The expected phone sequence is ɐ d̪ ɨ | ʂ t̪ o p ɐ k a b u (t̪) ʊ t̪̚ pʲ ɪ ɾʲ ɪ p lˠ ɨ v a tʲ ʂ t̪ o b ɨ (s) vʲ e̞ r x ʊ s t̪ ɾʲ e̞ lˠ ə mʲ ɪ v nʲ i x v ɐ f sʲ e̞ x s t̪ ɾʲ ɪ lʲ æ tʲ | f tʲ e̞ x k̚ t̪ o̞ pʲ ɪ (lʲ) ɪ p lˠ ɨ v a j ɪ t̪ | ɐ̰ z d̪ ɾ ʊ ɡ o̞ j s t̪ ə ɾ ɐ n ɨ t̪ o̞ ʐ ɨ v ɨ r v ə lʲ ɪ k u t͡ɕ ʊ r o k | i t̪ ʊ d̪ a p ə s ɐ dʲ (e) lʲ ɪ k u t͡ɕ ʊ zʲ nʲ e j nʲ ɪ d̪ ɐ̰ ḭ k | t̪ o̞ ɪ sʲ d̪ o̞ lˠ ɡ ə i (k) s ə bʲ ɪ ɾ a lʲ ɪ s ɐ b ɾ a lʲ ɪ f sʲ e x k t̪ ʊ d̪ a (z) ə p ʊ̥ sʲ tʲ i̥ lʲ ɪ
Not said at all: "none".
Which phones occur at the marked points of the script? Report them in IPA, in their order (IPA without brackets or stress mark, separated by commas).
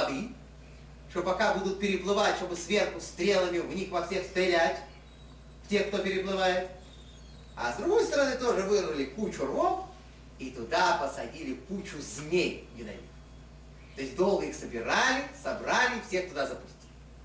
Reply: d̪, s, ɾʲ, i, x, z